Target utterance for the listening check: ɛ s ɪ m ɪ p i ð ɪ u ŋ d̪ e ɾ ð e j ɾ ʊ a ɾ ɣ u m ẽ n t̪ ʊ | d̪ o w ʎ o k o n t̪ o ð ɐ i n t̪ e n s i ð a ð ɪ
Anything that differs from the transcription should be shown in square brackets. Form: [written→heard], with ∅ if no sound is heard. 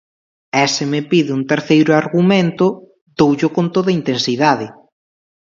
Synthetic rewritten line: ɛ s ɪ m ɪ p i ð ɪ u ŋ [d̪→t̪] e ɾ [ð→θ] e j ɾ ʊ a ɾ ɣ u m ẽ n t̪ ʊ | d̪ o w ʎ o k o n t̪ o ð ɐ i n t̪ e n s i ð a ð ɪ